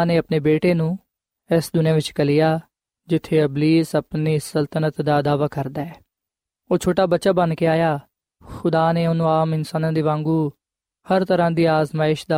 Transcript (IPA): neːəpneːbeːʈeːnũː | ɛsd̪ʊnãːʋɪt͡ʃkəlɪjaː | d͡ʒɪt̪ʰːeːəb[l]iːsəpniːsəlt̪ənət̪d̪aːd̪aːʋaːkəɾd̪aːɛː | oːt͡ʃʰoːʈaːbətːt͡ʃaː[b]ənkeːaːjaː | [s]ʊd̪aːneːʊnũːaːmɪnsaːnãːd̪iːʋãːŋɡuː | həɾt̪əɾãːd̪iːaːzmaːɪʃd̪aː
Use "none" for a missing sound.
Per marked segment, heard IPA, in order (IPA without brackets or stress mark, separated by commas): l, b, x